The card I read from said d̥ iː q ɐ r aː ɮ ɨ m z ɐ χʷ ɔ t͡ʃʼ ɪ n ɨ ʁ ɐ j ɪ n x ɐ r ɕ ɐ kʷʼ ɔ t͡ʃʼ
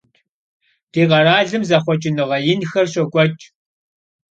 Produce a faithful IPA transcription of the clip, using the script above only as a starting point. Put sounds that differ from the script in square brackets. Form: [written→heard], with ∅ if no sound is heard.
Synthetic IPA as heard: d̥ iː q ɐ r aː ɮ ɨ m z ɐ χʷ ɔ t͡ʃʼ ɪ n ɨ ʁ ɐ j ɪ n x ɐ r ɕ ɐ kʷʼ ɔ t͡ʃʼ